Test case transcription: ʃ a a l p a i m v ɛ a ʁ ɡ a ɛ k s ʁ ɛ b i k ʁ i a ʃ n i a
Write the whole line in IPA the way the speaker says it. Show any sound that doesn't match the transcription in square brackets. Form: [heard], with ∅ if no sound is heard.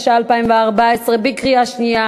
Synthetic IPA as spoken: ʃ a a l p a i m v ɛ a ʁ [b] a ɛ [∅] s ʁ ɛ b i k ʁ i a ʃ n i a